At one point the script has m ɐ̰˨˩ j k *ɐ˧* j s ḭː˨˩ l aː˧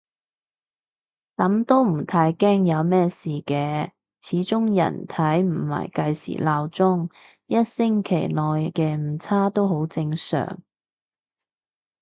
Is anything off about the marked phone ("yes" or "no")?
no